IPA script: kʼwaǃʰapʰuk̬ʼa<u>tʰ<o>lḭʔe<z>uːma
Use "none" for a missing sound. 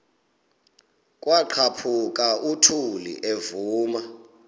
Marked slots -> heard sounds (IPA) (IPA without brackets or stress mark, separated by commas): u, u, v